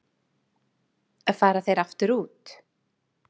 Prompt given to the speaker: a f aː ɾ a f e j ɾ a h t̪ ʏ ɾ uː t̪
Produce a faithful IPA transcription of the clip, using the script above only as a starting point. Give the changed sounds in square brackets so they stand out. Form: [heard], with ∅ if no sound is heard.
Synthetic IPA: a f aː ɾ a [θ] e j ɾ a [f] t̪ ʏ ɾ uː t̪